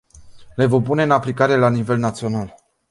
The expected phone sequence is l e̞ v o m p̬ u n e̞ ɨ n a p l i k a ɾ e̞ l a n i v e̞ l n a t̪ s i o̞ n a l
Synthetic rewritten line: l e̞ v o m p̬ u n e̞ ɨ n a p l i k a ɾ e̞ l a n i v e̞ l n a t̪ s i o̞ n a l